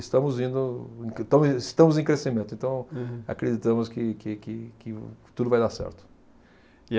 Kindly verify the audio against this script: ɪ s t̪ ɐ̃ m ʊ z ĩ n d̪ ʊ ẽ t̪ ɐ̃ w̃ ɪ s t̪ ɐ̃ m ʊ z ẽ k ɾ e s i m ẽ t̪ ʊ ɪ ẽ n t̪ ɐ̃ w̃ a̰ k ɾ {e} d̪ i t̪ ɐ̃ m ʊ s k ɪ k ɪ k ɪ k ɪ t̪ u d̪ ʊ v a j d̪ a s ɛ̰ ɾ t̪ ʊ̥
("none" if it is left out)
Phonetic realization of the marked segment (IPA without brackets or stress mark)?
e